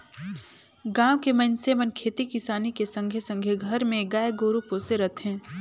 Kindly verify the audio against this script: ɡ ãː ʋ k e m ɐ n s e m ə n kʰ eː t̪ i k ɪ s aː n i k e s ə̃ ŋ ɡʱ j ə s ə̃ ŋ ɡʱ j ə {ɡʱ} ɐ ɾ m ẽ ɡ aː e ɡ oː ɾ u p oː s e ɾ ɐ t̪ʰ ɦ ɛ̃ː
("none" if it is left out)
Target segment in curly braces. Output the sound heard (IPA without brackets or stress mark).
ɡʱ